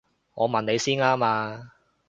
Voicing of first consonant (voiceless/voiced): voiced